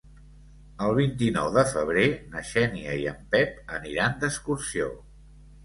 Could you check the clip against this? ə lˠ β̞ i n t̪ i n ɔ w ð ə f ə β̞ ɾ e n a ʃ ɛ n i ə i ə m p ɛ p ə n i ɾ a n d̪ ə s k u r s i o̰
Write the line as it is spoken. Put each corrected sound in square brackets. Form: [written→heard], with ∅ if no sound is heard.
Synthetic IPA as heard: ə lˠ β̞ i n t̪ i n ɔ w ð ə f ə β̞ ɾ e n [a→ə] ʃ ɛ n i ə i ə m p ɛ p ə n i ɾ a n d̪ ə s k u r s i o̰